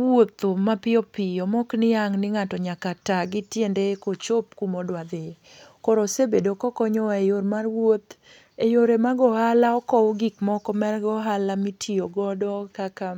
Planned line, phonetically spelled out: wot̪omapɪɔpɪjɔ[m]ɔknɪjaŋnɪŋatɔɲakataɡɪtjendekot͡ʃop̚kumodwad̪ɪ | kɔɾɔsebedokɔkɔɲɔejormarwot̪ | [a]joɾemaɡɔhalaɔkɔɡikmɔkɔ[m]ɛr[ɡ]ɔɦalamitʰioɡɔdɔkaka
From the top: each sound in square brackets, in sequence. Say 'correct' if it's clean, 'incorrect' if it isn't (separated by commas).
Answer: correct, incorrect, correct, correct